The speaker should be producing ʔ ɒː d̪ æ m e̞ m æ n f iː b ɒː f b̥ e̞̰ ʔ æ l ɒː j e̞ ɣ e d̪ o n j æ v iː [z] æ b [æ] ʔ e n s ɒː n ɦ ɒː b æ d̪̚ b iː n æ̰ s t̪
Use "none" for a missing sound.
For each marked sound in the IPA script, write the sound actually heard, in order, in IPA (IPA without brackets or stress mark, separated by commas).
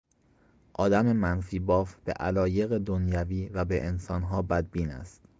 v, e